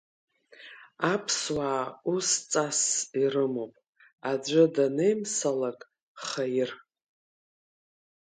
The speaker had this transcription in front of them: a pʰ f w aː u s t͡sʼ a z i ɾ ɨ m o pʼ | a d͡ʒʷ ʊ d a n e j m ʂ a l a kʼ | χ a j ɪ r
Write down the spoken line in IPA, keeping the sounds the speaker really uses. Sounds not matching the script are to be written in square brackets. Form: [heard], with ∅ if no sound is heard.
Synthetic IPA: a pʰ [s] w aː u s t͡sʼ a [s] i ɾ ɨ m o pʼ | a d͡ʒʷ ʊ d a n e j m [s] a l a kʼ | χ a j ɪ r